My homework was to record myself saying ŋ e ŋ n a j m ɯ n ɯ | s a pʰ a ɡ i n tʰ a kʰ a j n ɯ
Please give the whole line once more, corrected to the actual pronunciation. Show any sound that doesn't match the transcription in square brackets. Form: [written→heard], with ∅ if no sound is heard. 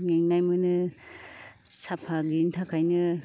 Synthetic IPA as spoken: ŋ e ŋ n a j m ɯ n ɯ | s a pʰ a ɡ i n tʰ a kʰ a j n ɯ

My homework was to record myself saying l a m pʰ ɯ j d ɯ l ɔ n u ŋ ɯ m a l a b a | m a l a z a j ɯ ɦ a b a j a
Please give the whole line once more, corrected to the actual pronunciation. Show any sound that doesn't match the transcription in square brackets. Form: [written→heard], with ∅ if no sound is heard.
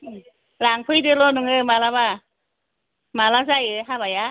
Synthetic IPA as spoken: l a [m→ŋ] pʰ ɯ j d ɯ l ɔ n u ŋ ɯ m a l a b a | m a l a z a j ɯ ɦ a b a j a

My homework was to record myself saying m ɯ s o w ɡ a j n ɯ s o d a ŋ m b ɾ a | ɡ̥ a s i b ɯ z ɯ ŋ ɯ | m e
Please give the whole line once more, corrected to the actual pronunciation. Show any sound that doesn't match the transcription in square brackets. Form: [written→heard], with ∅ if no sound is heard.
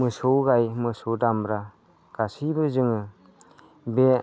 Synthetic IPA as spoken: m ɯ s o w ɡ a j [n→m] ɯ s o d a [ŋ→∅] m b ɾ a | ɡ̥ a s i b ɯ z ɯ ŋ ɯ | [m→b] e

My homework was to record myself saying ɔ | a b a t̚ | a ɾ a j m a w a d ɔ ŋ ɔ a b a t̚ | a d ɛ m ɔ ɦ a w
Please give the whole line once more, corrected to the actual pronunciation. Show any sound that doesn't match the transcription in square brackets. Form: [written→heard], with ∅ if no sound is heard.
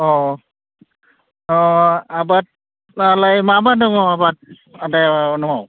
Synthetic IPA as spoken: ɔ | a b a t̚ | a [ɾ→l] a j m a [w→b] a d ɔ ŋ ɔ a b a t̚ | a d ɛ [m→n] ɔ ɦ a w

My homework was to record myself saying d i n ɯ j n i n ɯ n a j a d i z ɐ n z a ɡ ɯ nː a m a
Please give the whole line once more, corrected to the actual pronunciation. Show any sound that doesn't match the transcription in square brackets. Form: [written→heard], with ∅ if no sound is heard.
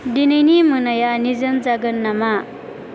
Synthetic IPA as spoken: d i n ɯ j n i [n→m] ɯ n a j a [d→n] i z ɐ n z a ɡ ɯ nː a m a

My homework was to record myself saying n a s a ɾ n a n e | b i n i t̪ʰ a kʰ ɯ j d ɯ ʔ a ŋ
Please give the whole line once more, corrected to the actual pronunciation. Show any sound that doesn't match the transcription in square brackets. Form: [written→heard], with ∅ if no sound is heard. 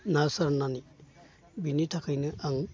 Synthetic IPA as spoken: n a s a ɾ n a n [e→i] | b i n i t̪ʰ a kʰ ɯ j [d→n] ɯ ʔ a ŋ

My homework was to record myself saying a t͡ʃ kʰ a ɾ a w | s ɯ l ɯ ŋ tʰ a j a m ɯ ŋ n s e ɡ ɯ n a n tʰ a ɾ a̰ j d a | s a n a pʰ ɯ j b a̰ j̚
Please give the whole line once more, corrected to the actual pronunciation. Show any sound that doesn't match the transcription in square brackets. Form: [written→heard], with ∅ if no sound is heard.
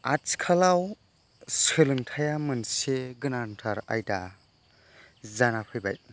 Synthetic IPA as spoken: a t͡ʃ kʰ a [ɾ→l] a w | s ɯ l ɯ ŋ tʰ a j a m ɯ [ŋ→∅] n s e ɡ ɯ n a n tʰ a ɾ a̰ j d a | [s→z] a n a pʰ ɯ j b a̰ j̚

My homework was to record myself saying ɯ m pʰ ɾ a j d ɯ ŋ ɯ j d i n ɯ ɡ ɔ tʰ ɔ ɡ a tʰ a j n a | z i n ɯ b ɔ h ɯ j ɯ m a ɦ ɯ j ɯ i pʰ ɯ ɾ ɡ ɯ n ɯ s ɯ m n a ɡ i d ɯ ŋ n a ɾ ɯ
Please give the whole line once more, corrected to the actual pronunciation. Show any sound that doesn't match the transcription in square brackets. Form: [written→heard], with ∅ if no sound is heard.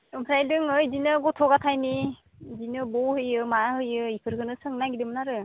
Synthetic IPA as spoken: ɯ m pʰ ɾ a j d ɯ ŋ ɯ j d i n ɯ ɡ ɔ tʰ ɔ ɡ a tʰ a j n [a→i] | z i n ɯ b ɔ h ɯ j ɯ m a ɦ ɯ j ɯ i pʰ ɯ ɾ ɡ ɯ n ɯ s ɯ [m→ŋ] n a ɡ i d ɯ [ŋ→m] n a ɾ ɯ

